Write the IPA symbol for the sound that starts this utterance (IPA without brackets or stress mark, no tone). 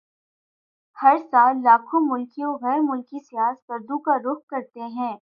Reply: h